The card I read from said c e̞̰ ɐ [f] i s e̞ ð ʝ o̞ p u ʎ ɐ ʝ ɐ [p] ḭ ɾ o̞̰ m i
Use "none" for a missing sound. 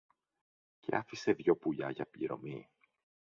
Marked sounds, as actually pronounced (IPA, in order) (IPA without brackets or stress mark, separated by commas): f, p